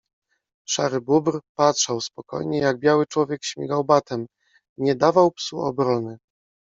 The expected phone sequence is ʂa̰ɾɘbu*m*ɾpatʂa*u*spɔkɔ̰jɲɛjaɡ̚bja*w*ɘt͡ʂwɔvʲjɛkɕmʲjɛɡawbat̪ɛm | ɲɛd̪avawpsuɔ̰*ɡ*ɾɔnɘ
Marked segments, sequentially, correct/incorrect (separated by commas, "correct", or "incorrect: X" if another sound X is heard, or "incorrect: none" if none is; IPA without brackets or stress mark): incorrect: b, incorrect: w, correct, incorrect: b